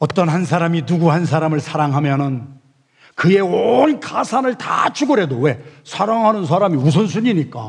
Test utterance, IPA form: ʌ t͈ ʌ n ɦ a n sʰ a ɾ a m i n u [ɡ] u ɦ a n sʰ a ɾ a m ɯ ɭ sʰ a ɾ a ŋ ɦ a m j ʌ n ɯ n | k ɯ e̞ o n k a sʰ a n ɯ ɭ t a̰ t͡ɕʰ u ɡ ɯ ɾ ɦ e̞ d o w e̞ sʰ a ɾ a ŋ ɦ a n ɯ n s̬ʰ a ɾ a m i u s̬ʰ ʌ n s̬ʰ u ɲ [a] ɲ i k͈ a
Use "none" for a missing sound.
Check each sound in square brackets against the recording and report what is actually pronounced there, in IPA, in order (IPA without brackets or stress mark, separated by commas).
ɡ, i